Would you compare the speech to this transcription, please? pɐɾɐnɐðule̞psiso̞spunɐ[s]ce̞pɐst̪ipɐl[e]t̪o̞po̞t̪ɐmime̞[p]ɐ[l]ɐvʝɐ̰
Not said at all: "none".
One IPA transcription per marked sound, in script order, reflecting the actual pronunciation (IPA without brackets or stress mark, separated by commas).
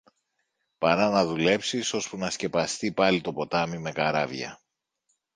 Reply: s, i, k, ɾ